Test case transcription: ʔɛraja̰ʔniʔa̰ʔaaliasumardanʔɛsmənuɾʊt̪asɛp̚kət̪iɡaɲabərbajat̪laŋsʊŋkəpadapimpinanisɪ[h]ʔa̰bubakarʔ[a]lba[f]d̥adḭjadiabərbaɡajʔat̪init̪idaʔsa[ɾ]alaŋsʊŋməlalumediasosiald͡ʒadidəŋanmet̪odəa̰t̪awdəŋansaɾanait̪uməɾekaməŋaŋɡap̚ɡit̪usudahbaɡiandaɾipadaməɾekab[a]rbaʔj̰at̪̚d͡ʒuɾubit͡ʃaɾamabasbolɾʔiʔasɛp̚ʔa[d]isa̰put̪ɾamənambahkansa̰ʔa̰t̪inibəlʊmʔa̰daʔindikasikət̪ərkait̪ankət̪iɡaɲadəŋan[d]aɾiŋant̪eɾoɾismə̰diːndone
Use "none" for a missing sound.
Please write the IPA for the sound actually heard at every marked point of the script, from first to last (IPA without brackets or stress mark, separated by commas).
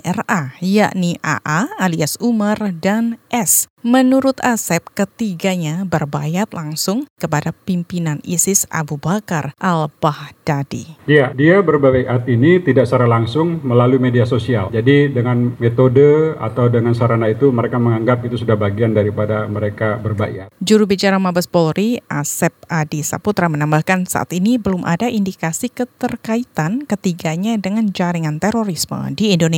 s, a, h, ɾ, ə, d, d͡ʒ